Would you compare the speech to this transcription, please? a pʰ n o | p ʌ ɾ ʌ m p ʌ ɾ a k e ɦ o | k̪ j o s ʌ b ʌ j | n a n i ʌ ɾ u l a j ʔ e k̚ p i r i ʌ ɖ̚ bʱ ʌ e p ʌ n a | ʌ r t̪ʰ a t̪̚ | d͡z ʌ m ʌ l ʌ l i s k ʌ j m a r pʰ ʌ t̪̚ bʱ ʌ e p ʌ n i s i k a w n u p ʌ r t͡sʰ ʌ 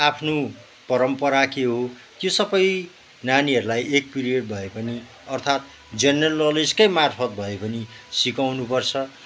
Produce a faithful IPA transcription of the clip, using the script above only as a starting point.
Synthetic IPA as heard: a pʰ n o | p ʌ ɾ ʌ m p ʌ ɾ a k e ɦ o | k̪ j o s ʌ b ʌ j | n a n i ʌ ɾ u l a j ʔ e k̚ p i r i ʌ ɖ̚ bʱ ʌ e p ʌ n i | ʌ r t̪ʰ a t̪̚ | d͡z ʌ n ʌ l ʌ l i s k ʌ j m a r pʰ ʌ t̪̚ bʱ ʌ e p ʌ n i s i k a w n u p ʌ r t͡sʰ ʌ

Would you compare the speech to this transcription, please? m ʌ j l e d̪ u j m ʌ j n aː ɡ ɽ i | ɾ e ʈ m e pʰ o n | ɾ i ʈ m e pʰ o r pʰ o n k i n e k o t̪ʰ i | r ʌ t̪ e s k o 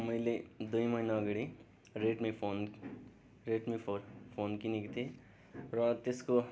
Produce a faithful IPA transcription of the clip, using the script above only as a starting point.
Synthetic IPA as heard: m ʌ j l e d̪ u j m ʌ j n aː ɡ ɽ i | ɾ e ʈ m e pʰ o n | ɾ e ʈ m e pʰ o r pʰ o n k i n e k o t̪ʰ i | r ʌ t̪ e s k o

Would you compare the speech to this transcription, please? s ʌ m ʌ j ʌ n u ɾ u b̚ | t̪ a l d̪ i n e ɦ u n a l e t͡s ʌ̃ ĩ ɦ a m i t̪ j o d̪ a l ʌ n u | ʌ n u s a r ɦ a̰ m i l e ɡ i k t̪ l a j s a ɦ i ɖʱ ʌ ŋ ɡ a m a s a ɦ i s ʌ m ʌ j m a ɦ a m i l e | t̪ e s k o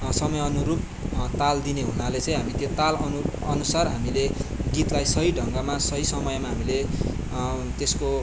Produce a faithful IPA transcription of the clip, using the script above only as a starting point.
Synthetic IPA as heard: s ʌ m ʌ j ʌ n u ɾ u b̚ | t̪ a l d̪ i n e ɦ u n a l e t͡s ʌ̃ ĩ ɦ a m i t̪ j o t̪ a l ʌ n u | ʌ n u s a r ɦ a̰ m i l e ɡ i t̪ l a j s ʌ ɦ i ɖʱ ʌ ŋ ɡ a m a s ʌ ɦ i s ʌ m ʌ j m a ɦ a m i l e | t̪ e s k o

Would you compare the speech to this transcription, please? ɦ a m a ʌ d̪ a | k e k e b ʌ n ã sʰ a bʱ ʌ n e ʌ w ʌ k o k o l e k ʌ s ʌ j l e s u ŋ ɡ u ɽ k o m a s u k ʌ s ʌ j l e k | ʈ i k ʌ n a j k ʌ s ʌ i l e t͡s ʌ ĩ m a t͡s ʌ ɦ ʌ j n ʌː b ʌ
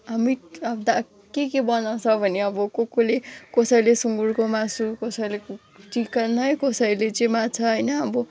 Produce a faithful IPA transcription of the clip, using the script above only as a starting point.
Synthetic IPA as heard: ɦ a m i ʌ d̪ a | k e k e b ʌ n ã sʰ ʌ bʱ ʌ n e ʌ b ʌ k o k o l e k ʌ s ʌ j l e s u ŋ ɡ u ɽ k o m a s u k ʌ s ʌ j l e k | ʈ i k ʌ n ʌ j k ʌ s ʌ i l e t͡s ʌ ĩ m a t͡sʰ ʌ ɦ ʌ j n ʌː b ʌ

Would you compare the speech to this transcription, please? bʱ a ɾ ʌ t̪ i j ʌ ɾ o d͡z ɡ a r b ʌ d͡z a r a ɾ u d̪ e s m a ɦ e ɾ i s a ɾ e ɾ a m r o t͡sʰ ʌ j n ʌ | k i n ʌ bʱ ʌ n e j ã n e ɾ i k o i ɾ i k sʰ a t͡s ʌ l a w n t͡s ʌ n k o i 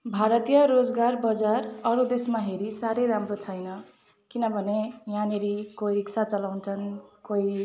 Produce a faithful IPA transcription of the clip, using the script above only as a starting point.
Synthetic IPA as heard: bʱ a ɾ ʌ t̪ i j ʌ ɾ o d͡z ɡ a r b ʌ d͡z a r ʌ ɾ u d̪ e s m a ɦ e ɾ i s a ɾ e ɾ a m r o t͡sʰ ʌ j n ʌ | k i n ʌ bʱ ʌ n e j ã n e ɾ i k o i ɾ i k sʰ a t͡s ʌ l a w n t͡sʰ ʌ n k o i

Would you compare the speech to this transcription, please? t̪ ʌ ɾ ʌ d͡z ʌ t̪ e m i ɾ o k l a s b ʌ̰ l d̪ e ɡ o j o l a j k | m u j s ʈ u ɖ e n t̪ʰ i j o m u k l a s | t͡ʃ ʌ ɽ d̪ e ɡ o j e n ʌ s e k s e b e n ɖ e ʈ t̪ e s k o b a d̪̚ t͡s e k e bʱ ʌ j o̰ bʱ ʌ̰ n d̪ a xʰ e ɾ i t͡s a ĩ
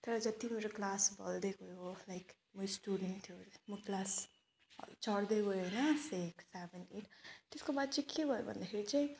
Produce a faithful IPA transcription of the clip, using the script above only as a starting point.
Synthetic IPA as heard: t̪ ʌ ɾ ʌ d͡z ʌ t̪ i m e ɾ o k l a s b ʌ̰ l d̪ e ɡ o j o l a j k | m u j s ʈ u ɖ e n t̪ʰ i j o m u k l a s | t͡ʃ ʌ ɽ d̪ e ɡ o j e n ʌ s e k s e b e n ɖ e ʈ t̪ e s k o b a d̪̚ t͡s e k e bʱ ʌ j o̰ bʱ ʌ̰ n d̪ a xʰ e ɾ i t͡s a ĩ

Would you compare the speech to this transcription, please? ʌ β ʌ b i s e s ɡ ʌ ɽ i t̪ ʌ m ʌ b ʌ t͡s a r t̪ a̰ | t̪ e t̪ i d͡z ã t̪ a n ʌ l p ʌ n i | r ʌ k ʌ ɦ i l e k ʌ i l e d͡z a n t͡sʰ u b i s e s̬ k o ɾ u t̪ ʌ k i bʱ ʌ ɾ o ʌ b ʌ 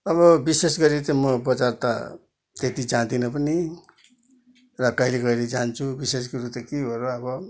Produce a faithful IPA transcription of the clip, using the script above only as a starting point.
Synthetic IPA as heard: ʌ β ʌ b i s e s ɡ ʌ ɾ i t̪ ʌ m ʌ b ʌ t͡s a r t̪ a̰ | t̪ e t̪ i d͡z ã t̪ i n ʌ p ʌ n i | r ʌ k ʌ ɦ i l e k ʌ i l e d͡z a n t͡sʰ u b i s e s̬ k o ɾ u t̪ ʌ k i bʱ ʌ ɾ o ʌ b ʌ

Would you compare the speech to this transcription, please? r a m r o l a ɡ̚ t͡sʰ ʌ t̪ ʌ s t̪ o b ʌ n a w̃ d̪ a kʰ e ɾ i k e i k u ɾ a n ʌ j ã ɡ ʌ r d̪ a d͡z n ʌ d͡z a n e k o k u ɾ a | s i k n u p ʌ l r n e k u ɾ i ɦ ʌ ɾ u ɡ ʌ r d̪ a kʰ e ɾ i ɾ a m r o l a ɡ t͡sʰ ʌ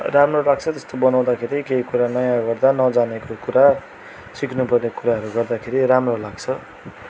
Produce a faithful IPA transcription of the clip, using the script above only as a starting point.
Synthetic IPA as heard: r a m r o l a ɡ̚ t͡sʰ ʌ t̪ ʌ s t̪ o b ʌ n a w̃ d̪ a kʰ e ɾ i k e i k u ɾ a n ʌ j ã ɡ ʌ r d̪ a n ʌ d͡z a n e k o k u ɾ a | s i k n u p ʌ r n e k u ɾ a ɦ ʌ ɾ u ɡ ʌ r d̪ a kʰ e ɾ i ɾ a m r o l a ɡ t͡sʰ ʌ

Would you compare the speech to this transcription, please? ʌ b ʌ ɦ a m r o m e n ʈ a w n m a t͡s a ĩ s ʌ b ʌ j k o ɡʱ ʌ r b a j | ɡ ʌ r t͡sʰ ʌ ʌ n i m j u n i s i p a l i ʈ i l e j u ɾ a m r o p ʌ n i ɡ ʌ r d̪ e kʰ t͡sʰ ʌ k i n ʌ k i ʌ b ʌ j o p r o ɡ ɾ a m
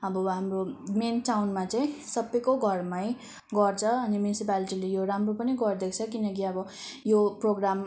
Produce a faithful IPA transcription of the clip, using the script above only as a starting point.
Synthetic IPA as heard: ʌ b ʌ ɦ a m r o m e n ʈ a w n m a t͡s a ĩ s ʌ b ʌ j k o ɡʱ ʌ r m a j | ɡ ʌ r t͡sʰ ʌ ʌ n i m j u n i s i p a l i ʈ i l e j o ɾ a m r o p ʌ n i ɡ ʌ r d̪ e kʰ t͡sʰ ʌ k i n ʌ k i ʌ b ʌ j o p r o ɡ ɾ a m

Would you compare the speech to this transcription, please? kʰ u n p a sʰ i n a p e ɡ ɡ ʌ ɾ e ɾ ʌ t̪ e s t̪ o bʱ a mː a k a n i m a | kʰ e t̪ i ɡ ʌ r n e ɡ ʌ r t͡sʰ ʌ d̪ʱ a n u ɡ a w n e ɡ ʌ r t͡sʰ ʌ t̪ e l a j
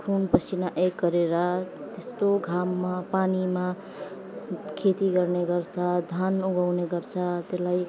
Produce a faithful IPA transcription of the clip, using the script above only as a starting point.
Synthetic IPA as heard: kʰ u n p ʌ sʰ i n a ʔ e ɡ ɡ ʌ ɾ e ɾ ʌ t̪ e s t̪ o ɡʱ a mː a p a n i m a | kʰ e t̪ i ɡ ʌ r n e ɡ ʌ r t͡sʰ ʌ d̪ʱ a n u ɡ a w n e ɡ ʌ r t͡sʰ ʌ t̪ e l a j

